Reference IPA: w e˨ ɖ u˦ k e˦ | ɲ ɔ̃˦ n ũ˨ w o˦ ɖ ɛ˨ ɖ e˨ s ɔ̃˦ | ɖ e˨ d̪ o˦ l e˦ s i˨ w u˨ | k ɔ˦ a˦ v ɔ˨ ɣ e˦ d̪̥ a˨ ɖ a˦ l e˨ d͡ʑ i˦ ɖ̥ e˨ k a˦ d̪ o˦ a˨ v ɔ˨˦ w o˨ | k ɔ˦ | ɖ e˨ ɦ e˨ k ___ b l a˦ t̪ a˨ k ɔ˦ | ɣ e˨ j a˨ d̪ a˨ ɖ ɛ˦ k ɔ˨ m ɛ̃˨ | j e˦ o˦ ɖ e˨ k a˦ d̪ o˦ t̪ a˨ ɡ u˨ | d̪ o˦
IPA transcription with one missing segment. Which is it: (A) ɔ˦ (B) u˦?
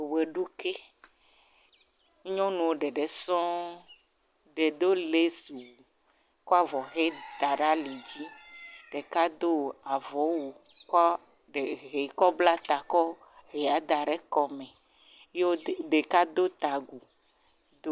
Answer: A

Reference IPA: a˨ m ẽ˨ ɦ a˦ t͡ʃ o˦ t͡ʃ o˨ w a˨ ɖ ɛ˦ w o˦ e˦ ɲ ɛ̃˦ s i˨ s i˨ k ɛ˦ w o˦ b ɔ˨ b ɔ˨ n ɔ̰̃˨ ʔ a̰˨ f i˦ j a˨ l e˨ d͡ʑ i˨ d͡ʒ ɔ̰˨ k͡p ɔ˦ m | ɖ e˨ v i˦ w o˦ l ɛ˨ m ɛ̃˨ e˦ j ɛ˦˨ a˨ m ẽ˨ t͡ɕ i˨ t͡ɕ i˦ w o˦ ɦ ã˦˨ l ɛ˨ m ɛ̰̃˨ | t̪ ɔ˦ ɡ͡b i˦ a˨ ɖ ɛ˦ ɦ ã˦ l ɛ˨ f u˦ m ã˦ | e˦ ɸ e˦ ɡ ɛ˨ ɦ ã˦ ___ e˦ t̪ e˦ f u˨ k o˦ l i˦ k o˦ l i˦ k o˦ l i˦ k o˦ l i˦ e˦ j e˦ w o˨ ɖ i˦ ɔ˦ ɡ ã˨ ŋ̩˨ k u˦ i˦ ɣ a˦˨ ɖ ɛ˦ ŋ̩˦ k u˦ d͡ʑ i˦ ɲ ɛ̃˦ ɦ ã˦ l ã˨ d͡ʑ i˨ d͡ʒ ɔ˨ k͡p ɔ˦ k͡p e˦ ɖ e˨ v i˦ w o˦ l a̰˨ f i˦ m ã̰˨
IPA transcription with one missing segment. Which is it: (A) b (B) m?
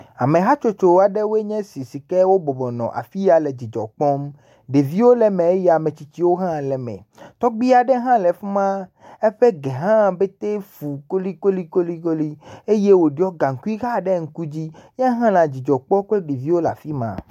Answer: A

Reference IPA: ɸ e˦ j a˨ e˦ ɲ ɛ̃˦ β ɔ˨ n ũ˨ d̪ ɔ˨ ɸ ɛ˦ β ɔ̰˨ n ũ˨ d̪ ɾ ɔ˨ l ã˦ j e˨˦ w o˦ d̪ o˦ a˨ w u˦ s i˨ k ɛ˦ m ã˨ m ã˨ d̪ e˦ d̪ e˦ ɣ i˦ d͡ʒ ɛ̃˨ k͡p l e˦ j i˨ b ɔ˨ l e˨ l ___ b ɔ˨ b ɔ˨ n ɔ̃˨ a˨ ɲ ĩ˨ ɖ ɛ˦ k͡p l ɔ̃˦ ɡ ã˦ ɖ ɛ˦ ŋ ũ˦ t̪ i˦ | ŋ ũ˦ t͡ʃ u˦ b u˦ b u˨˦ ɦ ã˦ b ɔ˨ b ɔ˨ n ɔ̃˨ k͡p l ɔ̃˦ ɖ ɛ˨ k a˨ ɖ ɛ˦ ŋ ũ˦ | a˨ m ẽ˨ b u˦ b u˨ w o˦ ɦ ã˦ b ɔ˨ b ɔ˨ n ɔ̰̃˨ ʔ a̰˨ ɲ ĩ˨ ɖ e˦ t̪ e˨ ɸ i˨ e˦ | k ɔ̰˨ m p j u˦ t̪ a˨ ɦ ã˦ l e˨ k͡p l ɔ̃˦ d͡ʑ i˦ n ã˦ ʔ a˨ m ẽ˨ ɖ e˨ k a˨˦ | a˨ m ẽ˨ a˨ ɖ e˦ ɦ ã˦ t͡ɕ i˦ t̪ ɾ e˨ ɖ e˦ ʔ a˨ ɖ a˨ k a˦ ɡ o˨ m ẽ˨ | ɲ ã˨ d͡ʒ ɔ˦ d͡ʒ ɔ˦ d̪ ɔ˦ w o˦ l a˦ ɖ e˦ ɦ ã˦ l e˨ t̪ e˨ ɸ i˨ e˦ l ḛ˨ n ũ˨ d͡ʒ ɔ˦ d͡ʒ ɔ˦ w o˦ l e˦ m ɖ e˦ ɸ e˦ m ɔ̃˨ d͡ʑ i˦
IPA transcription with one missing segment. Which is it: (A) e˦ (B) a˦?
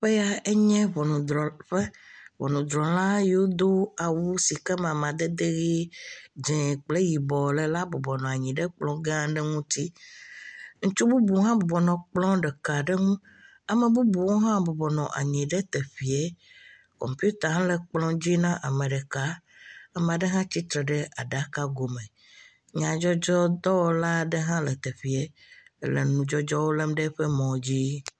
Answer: B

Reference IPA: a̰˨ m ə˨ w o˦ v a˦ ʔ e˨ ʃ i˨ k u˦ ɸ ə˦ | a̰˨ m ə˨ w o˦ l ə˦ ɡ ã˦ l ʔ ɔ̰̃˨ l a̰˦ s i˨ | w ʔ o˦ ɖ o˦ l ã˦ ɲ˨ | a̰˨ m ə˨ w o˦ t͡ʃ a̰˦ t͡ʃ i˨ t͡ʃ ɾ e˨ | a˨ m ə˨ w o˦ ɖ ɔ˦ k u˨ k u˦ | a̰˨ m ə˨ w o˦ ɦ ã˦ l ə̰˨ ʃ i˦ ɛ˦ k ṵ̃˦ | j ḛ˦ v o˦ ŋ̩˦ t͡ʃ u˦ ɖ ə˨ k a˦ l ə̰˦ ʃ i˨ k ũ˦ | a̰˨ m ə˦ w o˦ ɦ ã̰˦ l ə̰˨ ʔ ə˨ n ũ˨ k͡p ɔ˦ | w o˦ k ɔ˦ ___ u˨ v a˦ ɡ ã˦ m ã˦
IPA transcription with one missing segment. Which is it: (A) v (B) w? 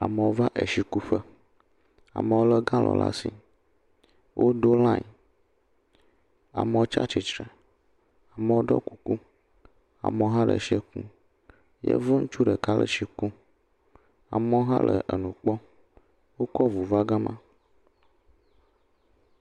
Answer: A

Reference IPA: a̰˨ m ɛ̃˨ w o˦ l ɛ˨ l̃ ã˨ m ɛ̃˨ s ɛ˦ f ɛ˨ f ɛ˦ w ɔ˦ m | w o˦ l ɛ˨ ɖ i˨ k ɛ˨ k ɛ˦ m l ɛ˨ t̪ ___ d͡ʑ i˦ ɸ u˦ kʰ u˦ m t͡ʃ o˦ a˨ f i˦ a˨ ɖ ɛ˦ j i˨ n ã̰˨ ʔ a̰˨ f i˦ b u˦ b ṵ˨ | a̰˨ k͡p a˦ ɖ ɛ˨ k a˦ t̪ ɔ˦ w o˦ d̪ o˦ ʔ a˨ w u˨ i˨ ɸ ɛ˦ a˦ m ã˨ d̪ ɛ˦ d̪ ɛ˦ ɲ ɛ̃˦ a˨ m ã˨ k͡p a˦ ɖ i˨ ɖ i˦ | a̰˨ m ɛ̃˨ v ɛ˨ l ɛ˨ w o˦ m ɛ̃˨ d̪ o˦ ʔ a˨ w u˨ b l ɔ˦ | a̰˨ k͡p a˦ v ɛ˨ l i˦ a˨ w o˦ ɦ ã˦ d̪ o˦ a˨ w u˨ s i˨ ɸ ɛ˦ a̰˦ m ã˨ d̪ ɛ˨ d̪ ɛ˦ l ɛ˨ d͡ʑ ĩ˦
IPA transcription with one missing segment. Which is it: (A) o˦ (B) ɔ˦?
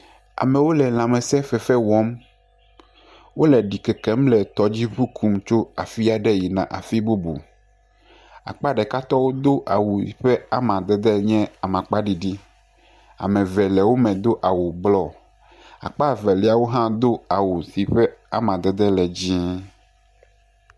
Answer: B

